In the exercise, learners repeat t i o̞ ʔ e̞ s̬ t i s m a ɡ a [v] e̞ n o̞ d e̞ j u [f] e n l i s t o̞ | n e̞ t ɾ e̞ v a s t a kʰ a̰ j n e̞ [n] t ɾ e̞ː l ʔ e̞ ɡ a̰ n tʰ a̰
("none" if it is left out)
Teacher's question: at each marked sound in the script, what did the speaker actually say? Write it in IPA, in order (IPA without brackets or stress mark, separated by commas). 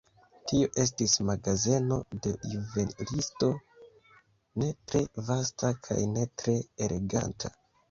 z, v, none